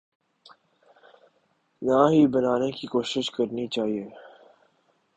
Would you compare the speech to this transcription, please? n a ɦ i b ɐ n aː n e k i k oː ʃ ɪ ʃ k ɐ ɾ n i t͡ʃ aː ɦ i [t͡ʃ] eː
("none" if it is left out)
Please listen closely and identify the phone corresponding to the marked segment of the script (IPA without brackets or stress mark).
none